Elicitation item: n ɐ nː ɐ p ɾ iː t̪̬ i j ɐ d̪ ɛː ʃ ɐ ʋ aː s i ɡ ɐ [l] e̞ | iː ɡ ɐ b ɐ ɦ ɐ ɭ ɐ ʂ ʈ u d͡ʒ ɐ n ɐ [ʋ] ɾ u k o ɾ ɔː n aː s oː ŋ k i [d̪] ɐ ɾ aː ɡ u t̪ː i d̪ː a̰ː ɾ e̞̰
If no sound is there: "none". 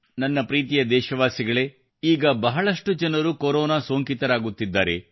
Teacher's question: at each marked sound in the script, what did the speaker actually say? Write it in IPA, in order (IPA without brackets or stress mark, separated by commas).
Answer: ɭ, none, t̪